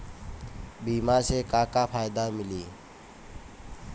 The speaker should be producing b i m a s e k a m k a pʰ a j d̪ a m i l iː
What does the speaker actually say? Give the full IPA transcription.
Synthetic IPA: b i m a s e k a k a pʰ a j d̪ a m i l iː